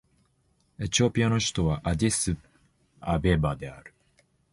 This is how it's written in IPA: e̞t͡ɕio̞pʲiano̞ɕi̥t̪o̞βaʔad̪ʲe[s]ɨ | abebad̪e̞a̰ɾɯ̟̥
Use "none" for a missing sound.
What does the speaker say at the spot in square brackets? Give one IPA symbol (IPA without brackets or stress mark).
s